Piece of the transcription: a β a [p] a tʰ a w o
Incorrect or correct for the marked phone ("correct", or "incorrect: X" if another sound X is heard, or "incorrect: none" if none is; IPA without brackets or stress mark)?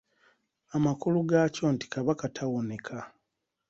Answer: incorrect: k